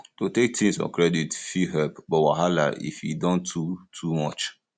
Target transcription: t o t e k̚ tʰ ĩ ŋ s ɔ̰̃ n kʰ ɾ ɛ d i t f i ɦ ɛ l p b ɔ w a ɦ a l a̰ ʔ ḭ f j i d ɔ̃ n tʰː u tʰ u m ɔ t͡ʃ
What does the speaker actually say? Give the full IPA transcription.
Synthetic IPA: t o t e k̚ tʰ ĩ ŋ s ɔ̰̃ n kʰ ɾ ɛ d i t f i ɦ ɛ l p b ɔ w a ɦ a l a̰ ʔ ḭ f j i d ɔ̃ n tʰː u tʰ u m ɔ t͡ʃ